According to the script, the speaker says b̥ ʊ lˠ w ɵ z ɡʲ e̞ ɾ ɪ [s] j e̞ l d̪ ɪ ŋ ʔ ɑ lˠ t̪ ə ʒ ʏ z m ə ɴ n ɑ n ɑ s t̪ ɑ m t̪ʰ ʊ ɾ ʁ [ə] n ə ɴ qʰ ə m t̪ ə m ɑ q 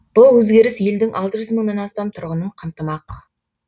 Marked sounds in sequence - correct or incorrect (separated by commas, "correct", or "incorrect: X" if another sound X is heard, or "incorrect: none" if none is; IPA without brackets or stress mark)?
correct, correct